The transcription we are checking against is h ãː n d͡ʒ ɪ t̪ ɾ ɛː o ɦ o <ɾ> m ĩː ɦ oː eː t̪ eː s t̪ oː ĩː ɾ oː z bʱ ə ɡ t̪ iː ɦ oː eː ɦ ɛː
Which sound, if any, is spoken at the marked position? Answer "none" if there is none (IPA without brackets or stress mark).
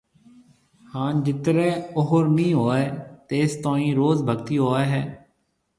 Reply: ɾ